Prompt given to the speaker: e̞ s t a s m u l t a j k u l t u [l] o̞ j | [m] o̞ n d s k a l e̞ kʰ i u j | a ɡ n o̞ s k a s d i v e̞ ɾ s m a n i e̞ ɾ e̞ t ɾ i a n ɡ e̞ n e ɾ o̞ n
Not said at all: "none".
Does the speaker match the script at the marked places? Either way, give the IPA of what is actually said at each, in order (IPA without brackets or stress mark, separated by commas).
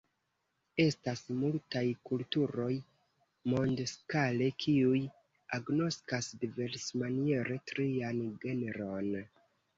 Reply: ɾ, m